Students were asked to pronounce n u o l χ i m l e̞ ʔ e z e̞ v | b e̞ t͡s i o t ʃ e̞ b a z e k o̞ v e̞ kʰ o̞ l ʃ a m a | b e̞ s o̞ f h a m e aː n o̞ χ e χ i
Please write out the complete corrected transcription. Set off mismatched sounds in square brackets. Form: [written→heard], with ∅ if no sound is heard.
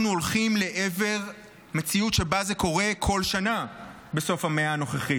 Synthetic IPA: n u o l χ i m l e̞ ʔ e [z→v] e̞ [v→ʁ] | [b→m] e̞ t͡s i [o→u] t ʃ e̞ b a z e k o̞ [v→ʁ] e̞ kʰ o̞ l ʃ a [m→n] a | b e̞ s o̞ f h a m e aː n o̞ χ e χ i

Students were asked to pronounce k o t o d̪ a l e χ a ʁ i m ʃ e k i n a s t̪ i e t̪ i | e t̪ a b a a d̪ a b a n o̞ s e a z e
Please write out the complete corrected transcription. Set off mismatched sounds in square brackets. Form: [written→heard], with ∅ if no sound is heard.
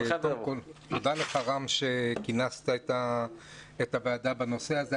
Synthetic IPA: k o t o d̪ a l e χ a ʁ [i→a] m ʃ e k i n a s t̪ [i→a] e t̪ [i→a] | e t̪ a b [a→e] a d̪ a b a n o̞ s e a z e

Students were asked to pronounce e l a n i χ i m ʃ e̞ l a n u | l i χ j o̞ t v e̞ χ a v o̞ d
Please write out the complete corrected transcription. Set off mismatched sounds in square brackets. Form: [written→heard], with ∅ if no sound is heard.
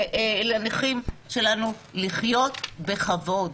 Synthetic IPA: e l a n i χ i m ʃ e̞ l a n u | l i χ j o̞ t [v→b] e̞ χ a v o̞ d

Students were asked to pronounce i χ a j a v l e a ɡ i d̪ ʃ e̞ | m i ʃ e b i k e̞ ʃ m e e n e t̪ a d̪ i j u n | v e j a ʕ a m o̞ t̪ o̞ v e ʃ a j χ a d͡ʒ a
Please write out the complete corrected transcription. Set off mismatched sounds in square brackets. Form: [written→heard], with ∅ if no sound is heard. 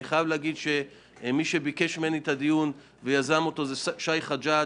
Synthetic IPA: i χ a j a v l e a ɡ i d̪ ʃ e̞ | m i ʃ e b i k e̞ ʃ m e e n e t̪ a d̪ i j u n | v e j a [ʕ→z] a m o̞ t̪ o̞ [v→z] e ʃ a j χ a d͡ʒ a

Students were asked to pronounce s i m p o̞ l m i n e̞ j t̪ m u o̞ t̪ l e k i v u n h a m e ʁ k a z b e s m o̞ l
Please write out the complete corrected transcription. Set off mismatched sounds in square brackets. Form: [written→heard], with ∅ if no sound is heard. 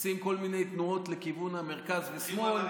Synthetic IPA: s i m [p→k] o̞ l m i n e̞ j t̪ [m→n] u o̞ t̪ l e k i v u n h a m e ʁ k a z [b→v] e s m o̞ l

